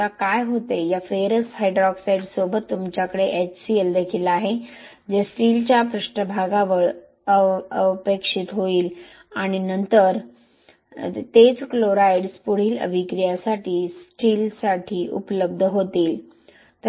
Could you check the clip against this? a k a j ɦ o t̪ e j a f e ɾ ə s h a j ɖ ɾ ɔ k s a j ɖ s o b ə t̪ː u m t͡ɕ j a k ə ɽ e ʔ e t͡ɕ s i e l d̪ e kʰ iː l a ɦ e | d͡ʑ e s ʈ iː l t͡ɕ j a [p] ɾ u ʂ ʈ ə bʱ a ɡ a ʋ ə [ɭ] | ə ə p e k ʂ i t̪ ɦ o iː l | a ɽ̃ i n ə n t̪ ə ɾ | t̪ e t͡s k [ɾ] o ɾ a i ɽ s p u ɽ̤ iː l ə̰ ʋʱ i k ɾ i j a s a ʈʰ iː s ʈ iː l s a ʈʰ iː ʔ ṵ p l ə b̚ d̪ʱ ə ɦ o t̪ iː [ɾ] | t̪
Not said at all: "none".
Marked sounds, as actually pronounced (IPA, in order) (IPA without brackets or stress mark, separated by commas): p, ɭ, l, l